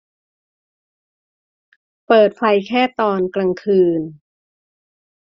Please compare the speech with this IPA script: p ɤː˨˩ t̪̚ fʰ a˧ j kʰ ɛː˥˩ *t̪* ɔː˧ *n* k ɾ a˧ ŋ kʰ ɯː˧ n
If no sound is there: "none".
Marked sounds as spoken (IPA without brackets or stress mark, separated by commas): t̪, n